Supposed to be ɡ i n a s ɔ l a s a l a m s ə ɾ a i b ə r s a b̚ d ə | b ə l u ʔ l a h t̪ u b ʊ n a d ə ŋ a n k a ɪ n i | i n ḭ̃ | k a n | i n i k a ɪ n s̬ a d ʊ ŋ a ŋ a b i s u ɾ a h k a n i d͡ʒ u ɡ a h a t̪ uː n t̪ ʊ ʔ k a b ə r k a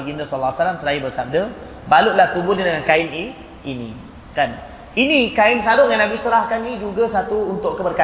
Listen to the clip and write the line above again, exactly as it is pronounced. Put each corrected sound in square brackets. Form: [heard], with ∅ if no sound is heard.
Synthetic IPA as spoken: ɡ i n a s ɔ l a s a l a m s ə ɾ a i b ə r s a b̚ d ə | b [a] l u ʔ l a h t̪ u b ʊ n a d ə ŋ a n k a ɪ n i | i n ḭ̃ | k a n | i n i k a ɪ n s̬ a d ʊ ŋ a [n] a b i s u ɾ a h k a n i d͡ʒ u ɡ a [s] a t̪ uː n t̪ ʊ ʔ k [ə] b ə r k a